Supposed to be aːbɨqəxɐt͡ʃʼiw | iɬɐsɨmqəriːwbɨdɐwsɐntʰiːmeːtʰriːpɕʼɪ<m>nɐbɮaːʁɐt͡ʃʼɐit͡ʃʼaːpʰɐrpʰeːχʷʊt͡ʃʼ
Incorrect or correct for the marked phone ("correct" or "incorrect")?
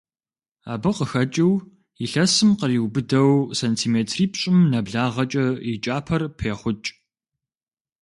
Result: correct